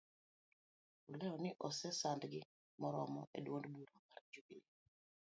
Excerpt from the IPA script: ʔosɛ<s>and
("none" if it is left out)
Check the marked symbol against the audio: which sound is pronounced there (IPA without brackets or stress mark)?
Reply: s